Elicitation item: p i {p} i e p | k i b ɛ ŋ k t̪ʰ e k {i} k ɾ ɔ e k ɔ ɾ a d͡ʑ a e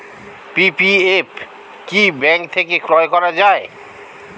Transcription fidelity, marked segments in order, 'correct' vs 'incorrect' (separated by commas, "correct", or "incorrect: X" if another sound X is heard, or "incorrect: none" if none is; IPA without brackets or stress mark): correct, incorrect: e